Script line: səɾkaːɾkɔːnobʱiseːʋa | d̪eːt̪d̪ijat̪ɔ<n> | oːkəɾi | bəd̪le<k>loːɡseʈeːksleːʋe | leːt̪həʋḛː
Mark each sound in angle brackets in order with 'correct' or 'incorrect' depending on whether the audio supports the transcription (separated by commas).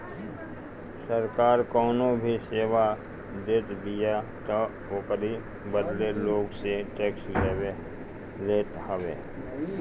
incorrect, incorrect